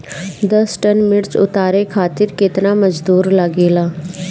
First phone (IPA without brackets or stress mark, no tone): d̪